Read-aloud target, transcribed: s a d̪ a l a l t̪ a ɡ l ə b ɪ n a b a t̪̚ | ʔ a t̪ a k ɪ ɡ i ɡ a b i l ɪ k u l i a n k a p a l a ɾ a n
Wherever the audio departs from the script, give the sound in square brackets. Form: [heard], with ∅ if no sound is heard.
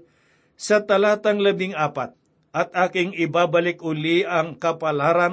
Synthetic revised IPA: s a [t̪] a l a [∅] t̪ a [ŋ] l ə b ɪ [ŋ] a [p] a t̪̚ | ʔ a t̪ a k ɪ [ŋ] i [b] a b [a] l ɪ k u l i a [ŋ] k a p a l a ɾ a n